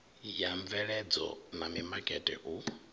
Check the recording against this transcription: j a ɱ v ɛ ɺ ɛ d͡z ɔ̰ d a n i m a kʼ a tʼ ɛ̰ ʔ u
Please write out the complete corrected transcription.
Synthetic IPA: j a ɱ v ɛ ɺ ɛ d͡z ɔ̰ n a m i m a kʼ ɛ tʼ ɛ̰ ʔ u